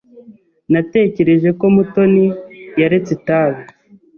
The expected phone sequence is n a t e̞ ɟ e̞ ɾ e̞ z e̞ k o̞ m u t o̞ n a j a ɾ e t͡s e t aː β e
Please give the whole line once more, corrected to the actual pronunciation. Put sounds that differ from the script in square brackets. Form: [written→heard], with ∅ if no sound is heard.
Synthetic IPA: n a t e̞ [ɟ→c] e̞ ɾ e̞ [z→ʒ] e̞ k o̞ m u t o̞ n [a→i] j a ɾ e t͡s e t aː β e